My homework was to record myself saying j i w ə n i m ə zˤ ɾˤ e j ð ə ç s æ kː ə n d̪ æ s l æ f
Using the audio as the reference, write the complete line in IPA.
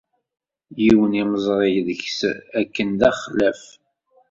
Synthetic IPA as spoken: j i w ə n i m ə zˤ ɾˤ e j ð ə ç s æ kː ə n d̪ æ χ l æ f